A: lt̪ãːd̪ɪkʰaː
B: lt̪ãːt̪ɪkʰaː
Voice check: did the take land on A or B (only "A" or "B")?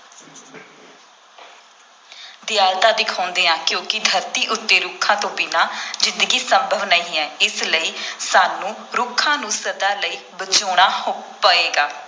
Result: A